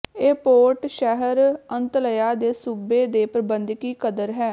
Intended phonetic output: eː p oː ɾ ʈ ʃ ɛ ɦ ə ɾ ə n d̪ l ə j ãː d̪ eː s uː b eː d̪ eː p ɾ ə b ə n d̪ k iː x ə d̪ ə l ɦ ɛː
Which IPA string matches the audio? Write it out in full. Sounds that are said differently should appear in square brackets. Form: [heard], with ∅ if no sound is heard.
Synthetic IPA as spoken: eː p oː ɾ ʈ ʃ ɛ ɦ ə ɾ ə n [t̪] l ə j [aː] d̪ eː s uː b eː d̪ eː p ɾ ə b ə n d̪ k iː [k] ə d̪ ə [ɾ] ɦ ɛː